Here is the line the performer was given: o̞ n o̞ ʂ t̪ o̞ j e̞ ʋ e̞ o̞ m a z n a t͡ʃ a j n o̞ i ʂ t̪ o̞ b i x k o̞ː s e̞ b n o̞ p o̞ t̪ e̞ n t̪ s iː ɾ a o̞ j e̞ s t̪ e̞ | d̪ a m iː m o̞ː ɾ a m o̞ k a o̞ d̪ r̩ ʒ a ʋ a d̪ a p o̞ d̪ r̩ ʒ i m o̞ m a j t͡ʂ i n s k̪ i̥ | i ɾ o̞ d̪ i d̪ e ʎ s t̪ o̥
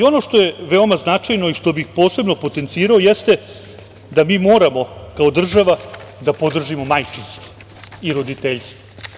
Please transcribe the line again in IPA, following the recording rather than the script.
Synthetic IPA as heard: o̞ n o̞ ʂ t̪ o̞ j e̞ ʋ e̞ o̞ m a z n a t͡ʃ a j n o̞ i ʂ t̪ o̞ b i x p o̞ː s e̞ b n o̞ p o̞ t̪ e̞ n t̪ s iː ɾ a o̞ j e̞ s t̪ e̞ | d̪ a m iː m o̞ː ɾ a m o̞ k a o̞ d̪ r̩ ʒ a ʋ a d̪ a p o̞ d̪ r̩ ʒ i m o̞ m a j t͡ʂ i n s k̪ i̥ | i ɾ o̞ d̪ i t̪ e ʎ s t̪ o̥